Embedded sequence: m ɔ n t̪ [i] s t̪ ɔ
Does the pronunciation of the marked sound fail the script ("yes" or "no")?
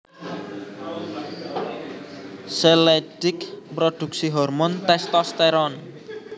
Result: yes